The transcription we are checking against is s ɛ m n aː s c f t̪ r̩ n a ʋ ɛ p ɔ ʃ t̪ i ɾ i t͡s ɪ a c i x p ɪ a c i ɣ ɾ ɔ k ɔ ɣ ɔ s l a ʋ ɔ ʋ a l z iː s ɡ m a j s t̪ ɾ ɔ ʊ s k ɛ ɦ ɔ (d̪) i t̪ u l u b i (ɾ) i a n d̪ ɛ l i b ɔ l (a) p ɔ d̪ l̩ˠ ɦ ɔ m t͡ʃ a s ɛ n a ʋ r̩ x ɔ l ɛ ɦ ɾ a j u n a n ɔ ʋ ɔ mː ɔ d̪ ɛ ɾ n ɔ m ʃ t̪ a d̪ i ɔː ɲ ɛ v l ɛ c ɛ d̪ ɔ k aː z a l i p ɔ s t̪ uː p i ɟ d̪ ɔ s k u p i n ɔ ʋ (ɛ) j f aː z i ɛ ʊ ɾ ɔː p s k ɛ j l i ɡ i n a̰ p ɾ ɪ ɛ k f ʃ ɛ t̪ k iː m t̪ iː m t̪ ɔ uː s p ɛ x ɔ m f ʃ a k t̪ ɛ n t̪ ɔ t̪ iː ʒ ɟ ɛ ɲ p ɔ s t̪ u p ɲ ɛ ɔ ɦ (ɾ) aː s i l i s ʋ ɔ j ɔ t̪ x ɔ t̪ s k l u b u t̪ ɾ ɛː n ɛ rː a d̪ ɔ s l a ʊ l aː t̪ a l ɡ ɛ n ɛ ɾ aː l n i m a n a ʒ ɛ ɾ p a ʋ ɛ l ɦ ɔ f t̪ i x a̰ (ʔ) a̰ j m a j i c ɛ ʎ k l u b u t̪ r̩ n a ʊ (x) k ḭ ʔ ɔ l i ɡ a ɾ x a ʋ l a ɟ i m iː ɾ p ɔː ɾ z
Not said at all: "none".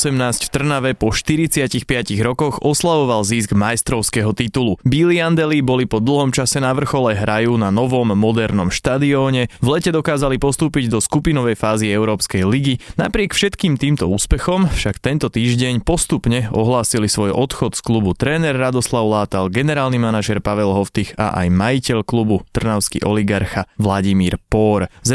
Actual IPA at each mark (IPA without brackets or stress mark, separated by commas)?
t̪, l, i, ɛ, l, ʔ, s